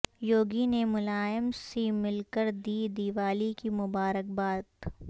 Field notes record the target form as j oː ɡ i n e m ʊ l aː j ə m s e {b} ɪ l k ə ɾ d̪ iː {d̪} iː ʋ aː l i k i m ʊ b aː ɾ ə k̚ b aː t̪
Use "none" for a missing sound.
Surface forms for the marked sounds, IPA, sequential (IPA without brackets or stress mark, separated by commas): m, d̪